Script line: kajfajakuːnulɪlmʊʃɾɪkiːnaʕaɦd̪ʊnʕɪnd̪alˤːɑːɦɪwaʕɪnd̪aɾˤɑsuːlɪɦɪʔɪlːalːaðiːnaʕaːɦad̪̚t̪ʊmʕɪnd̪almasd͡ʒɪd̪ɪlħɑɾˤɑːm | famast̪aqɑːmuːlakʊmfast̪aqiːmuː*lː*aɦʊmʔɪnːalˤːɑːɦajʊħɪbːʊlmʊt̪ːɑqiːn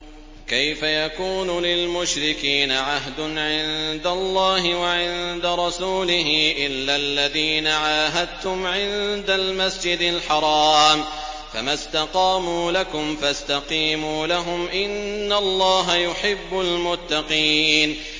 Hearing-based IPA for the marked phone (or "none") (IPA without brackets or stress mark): l